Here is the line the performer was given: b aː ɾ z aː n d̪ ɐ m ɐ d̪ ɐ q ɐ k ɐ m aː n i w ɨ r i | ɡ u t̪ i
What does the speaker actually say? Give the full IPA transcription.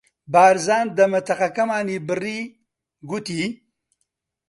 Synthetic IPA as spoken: b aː ɾ z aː n d̪ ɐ m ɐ t̪ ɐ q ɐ k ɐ m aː n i b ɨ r i | ɡ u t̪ i